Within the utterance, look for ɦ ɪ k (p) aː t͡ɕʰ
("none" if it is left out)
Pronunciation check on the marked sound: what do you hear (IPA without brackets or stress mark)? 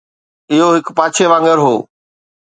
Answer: p